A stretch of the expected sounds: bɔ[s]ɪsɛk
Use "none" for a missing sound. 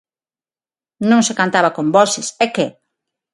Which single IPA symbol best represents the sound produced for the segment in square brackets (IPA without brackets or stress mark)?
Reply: s